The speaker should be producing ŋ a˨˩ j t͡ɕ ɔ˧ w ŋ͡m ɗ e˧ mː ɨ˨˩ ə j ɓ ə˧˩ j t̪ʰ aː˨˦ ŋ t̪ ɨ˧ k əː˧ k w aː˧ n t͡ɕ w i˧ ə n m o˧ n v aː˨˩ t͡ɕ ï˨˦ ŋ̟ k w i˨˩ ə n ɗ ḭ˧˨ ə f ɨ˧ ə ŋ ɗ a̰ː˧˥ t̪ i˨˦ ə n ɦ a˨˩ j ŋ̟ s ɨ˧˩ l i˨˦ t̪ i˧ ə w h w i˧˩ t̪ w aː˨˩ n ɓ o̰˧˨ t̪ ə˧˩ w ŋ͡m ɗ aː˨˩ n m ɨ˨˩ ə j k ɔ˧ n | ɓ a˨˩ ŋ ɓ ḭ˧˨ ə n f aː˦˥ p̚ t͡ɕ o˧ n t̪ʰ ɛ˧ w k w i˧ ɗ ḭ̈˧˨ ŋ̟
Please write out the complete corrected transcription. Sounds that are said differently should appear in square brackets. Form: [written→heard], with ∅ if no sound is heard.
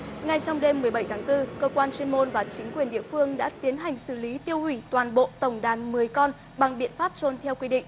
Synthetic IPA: ŋ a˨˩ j t͡ɕ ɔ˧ w ŋ͡m ɗ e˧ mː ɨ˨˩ ə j ɓ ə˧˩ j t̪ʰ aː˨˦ ŋ t̪ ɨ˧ k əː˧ k w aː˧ n t͡ɕ w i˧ ə n m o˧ n v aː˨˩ t͡ɕ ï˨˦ ŋ̟ k w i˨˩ ə n ɗ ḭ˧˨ ə f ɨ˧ ə ŋ ɗ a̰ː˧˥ t̪ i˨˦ ə n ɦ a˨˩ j ŋ̟ s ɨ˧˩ l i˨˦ t̪ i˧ ə w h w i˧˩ t̪ w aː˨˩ n ɓ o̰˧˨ t̪ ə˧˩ w ŋ͡m ɗ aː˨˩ n m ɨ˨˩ ə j k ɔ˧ n | ɓ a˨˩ ŋ ɓ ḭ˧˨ ə n f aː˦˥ p̚ t͡ɕ o˧ n t̪ʰ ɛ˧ w k w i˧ ɗ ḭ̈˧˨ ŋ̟